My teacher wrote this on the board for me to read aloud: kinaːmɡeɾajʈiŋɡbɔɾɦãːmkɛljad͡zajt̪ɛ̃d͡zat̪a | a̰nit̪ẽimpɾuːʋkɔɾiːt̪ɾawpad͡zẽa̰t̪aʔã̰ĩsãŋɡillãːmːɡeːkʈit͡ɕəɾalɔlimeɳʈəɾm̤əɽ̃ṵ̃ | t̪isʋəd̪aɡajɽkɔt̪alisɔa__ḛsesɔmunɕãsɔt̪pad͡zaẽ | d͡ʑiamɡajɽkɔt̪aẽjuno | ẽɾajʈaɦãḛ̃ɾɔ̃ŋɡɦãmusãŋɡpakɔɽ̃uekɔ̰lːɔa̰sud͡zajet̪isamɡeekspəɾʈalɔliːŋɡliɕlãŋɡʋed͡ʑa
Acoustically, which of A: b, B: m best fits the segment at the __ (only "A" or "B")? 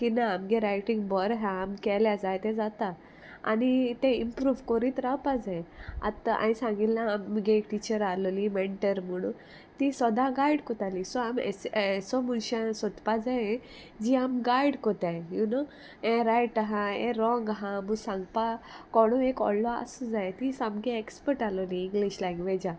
B